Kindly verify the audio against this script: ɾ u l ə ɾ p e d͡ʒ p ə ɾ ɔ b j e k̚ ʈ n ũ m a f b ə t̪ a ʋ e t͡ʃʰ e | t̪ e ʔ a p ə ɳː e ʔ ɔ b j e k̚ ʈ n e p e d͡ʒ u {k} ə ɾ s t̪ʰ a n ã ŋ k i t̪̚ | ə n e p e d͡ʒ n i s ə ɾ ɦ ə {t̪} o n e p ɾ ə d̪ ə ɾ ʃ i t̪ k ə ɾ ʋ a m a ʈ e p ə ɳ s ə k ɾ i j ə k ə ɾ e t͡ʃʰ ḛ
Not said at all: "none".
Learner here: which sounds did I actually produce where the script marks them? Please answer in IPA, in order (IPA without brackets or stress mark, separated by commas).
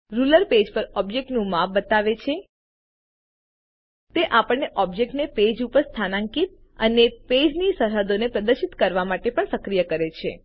p, d̪